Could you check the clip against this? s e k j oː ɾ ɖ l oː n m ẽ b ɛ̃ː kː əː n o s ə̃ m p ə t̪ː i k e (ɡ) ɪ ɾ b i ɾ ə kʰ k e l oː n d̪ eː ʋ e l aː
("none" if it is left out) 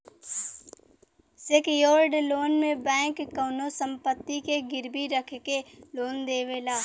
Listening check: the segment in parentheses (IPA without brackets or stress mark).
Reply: ɡ